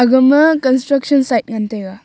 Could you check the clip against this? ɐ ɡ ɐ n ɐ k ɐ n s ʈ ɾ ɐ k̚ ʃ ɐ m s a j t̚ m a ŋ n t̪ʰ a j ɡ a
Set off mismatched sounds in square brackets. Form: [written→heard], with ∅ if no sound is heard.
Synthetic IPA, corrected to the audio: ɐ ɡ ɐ [n→m] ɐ k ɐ n s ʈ ɾ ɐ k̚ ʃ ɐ [m→n] s a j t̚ [m→ŋ] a [ŋ→∅] n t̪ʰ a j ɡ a